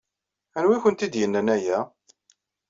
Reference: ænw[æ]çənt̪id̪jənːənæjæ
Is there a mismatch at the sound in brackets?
yes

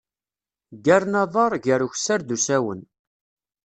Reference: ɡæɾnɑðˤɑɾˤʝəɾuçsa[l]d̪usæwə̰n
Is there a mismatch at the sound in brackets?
yes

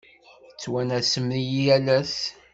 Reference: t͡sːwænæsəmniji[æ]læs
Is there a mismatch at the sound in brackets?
no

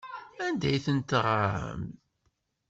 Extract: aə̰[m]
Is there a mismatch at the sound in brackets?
no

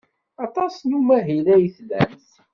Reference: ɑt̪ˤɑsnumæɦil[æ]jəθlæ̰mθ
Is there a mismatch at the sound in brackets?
no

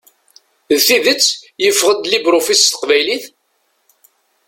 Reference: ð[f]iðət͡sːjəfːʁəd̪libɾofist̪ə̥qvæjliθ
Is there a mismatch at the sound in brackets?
yes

